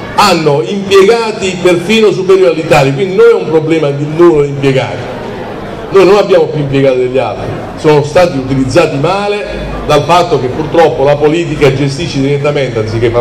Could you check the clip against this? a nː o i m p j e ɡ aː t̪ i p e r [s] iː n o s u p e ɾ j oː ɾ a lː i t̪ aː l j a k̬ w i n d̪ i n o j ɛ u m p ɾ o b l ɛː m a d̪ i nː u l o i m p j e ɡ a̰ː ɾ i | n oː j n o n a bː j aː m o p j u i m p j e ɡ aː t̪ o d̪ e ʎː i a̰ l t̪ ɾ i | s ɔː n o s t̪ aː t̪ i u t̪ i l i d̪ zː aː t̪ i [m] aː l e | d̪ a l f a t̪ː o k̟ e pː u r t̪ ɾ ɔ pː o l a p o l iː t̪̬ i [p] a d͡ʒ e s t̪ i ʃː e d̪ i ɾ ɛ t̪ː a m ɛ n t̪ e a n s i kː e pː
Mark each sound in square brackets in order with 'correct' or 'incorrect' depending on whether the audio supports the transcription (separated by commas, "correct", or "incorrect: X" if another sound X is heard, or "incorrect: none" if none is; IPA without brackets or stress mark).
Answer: incorrect: f, correct, incorrect: k